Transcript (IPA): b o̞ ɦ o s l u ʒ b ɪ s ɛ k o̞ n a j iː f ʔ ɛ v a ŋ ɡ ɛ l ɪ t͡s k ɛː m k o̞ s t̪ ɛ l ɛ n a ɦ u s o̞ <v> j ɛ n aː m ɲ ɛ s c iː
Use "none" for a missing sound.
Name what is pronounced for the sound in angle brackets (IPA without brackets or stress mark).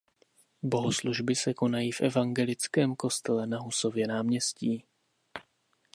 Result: v